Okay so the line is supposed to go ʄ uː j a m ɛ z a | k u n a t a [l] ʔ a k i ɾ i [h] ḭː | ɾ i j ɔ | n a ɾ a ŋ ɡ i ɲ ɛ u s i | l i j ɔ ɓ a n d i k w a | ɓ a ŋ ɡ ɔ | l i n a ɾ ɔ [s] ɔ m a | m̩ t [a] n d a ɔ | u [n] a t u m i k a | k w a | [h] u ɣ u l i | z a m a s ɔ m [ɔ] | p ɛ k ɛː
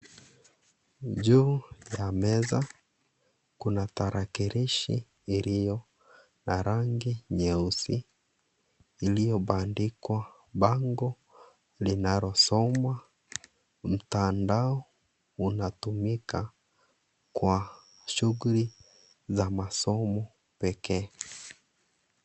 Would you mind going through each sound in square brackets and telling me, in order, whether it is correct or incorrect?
incorrect, incorrect, correct, correct, correct, incorrect, correct

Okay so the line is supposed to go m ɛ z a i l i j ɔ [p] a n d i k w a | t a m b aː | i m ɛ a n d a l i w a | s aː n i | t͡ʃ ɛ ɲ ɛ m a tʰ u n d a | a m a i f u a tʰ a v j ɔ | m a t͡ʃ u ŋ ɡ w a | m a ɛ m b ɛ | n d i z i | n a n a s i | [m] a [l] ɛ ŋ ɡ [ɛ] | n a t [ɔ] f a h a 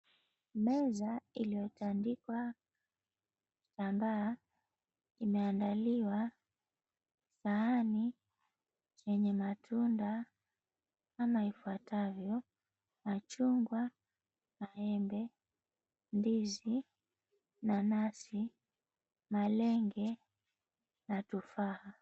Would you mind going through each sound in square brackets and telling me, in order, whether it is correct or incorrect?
incorrect, correct, correct, correct, incorrect

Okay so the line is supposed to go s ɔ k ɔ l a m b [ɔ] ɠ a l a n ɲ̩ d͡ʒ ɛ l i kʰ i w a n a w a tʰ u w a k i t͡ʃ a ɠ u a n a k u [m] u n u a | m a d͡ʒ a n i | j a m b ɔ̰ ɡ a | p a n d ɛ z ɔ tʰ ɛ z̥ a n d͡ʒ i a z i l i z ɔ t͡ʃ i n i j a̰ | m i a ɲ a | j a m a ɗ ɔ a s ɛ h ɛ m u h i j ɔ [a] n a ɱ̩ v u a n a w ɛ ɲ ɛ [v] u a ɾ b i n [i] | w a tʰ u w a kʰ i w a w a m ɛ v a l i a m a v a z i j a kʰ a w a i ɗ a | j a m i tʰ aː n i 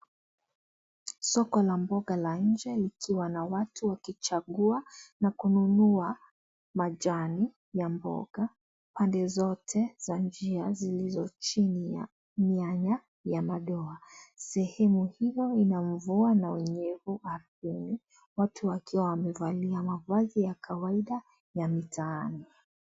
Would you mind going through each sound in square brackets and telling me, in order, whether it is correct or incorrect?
correct, incorrect, incorrect, correct, correct

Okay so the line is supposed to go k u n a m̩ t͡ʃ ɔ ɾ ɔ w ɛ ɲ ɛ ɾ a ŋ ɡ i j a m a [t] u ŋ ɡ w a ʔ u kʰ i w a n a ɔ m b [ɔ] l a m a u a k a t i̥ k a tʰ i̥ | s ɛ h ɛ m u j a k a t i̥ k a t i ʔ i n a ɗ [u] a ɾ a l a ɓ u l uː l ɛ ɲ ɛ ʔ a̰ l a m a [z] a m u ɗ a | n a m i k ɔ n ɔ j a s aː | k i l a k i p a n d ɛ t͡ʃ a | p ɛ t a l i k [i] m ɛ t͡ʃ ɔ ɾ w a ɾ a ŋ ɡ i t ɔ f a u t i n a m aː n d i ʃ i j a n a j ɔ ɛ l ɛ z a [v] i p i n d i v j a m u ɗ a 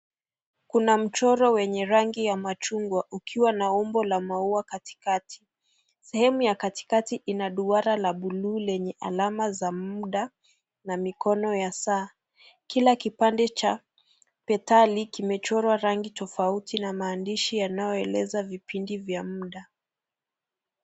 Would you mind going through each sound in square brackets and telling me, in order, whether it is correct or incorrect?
incorrect, correct, correct, correct, correct, correct

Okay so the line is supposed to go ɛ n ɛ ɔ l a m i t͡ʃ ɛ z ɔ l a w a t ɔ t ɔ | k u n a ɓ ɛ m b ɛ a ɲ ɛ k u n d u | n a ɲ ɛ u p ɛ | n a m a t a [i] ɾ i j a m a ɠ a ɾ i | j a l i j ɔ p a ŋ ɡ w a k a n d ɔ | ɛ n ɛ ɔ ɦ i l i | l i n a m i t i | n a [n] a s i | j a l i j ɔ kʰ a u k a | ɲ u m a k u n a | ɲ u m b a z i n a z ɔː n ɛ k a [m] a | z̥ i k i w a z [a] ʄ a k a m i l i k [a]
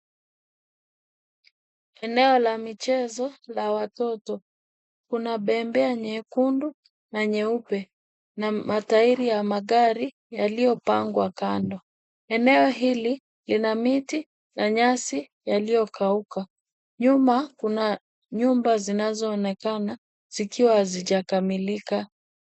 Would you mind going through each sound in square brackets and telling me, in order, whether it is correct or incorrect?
correct, incorrect, incorrect, incorrect, correct

